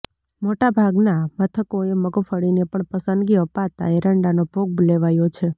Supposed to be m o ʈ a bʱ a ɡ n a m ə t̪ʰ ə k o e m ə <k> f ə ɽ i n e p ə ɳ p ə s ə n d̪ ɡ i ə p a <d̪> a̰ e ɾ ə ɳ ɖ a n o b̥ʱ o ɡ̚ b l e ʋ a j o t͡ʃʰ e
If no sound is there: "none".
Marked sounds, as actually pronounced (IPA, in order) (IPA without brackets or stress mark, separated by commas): ɡ, t̪